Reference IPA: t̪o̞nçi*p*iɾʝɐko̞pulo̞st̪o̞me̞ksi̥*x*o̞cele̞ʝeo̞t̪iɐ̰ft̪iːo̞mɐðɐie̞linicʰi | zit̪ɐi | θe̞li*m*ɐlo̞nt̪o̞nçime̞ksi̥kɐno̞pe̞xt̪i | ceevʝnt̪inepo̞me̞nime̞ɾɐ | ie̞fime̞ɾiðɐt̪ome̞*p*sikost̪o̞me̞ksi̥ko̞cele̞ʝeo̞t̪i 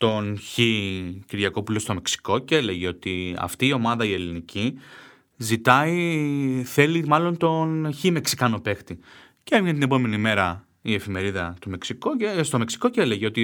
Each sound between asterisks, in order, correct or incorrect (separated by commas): incorrect, incorrect, correct, incorrect